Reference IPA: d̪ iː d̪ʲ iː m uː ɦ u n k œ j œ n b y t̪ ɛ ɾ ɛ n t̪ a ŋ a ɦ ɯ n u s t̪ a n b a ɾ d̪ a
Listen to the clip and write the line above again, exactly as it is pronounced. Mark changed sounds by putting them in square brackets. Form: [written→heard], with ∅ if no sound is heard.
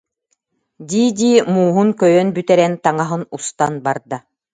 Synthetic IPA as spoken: d̪ iː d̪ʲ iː m uː ɦ u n k œ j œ n b y t̪ ɛ ɾ ɛ n t̪ a ŋ a ɦ ɯ n u s t̪ a n b a ɾ d̪ a